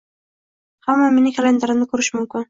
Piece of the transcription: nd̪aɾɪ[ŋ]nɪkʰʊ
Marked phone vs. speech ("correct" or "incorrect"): incorrect